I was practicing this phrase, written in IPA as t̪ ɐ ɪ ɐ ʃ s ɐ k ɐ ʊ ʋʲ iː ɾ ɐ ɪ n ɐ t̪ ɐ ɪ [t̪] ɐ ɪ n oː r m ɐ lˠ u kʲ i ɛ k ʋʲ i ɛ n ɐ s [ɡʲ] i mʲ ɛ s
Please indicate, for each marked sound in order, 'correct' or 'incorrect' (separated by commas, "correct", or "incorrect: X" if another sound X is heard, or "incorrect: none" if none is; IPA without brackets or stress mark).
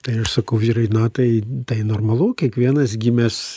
correct, correct